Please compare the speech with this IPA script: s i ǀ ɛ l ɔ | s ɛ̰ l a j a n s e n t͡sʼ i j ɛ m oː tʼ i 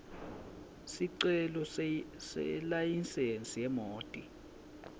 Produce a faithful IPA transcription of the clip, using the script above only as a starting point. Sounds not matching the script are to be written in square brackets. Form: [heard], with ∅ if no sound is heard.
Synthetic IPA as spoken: s i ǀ ɛ l ɔ | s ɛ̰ l a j [i] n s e n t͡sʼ i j ɛ m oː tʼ i